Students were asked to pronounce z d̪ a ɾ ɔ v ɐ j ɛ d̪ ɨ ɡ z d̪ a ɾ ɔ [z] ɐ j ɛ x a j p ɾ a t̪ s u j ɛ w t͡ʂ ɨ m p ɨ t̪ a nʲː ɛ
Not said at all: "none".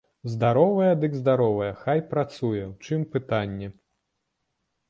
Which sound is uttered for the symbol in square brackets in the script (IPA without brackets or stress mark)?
v